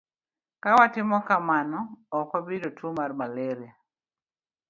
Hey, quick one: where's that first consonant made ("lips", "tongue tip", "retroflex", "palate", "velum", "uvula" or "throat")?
velum